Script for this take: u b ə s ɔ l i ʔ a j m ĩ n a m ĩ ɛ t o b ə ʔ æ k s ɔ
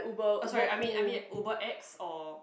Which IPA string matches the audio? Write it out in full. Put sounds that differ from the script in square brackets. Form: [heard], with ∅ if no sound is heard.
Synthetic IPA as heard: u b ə s ɔ [ɹ] i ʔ a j m ĩ n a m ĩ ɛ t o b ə ʔ [ɛ] k s ɔ